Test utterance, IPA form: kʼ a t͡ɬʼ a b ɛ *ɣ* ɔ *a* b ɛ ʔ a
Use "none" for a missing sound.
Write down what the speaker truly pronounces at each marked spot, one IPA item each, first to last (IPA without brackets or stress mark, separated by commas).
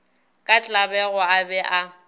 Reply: ɣ, a